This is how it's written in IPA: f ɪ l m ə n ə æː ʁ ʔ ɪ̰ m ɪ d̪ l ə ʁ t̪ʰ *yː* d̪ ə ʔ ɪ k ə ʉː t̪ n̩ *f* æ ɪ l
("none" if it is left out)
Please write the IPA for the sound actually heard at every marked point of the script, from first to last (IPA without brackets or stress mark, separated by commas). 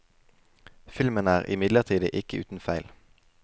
iː, f